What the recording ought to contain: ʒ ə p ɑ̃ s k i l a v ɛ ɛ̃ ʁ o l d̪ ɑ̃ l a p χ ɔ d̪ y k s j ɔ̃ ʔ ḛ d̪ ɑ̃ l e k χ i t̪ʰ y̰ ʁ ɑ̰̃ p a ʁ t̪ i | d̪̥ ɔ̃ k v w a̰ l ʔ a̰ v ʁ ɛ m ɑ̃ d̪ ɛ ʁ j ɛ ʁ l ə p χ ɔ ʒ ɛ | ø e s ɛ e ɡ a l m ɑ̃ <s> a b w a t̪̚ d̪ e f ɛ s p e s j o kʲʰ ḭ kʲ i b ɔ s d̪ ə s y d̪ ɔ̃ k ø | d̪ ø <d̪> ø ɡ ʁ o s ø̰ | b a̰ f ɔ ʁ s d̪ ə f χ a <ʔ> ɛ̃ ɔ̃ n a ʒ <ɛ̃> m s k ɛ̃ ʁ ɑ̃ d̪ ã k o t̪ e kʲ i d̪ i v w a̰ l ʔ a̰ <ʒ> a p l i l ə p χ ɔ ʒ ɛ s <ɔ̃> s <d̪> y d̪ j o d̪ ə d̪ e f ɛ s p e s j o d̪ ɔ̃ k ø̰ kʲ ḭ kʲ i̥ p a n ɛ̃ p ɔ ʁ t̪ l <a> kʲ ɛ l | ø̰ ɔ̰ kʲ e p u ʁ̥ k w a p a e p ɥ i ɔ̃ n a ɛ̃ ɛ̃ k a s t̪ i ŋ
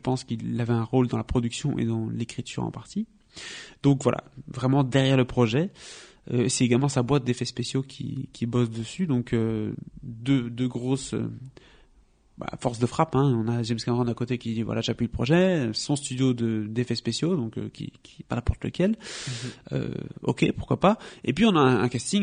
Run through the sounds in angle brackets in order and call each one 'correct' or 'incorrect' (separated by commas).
correct, correct, incorrect, incorrect, correct, correct, incorrect, incorrect